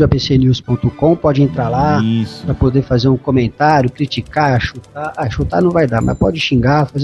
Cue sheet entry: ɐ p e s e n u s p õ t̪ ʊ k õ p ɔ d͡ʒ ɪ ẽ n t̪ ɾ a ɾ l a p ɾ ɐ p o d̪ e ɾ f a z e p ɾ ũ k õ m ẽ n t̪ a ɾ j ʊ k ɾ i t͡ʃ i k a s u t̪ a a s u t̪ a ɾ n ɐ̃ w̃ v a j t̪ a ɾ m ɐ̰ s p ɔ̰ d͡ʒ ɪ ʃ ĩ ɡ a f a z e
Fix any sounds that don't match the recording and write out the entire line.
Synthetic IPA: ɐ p e s e n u s p õ t̪ ʊ k õ p ɔ d͡ʒ ɪ ẽ n t̪ ɾ a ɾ l a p ɾ ɐ p o d̪ e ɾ f a z e ɾ ũ k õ m ẽ n t̪ a ɾ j ʊ k ɾ i t͡ʃ i k a ʃ u t̪ a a ʃ u t̪ a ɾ n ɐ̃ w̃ v a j d̪ a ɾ m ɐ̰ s p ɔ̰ d͡ʒ ɪ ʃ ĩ ɡ a f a z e